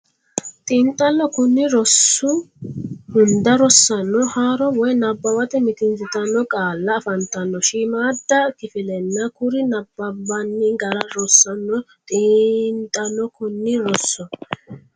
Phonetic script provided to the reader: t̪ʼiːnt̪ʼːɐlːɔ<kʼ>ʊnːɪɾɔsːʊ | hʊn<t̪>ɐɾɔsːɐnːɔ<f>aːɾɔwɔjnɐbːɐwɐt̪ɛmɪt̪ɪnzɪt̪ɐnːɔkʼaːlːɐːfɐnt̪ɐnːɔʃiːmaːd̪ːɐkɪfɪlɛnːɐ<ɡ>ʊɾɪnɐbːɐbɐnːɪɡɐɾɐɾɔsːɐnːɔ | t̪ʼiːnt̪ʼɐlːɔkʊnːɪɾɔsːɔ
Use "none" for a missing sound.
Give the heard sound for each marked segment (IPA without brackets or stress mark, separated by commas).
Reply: k, d̪, h, k